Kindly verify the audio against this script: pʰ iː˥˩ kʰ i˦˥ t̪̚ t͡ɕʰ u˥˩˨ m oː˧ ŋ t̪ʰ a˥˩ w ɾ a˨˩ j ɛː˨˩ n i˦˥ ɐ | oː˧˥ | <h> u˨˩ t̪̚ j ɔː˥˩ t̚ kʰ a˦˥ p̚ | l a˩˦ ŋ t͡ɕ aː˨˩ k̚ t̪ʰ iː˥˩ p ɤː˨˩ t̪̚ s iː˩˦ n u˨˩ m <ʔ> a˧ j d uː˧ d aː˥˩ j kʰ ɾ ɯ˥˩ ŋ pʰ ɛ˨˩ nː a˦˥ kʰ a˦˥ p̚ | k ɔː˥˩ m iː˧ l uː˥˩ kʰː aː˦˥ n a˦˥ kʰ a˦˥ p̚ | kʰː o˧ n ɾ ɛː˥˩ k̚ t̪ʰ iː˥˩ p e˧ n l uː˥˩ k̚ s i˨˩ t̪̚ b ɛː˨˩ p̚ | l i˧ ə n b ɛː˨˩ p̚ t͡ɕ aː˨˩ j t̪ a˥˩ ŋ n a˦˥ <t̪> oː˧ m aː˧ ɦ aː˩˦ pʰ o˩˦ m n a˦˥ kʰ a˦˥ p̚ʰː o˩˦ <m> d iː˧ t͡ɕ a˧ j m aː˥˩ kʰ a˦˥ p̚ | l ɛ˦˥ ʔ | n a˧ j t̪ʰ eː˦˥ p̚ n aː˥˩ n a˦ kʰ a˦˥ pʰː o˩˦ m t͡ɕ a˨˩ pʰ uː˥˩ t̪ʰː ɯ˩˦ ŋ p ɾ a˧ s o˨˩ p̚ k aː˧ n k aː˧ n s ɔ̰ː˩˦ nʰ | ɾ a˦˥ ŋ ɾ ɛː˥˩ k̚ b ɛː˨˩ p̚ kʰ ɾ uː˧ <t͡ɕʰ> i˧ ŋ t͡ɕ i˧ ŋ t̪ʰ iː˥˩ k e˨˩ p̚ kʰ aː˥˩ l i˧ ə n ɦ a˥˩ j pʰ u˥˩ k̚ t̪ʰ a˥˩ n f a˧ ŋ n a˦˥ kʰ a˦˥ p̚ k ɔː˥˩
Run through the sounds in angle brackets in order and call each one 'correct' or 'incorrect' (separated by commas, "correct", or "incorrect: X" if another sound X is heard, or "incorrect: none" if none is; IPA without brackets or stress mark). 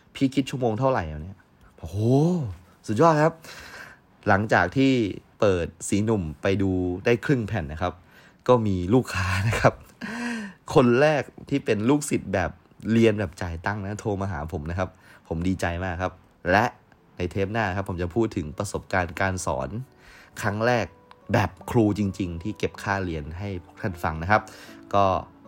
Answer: incorrect: s, incorrect: p, incorrect: t̪ʰ, correct, incorrect: t͡ɕ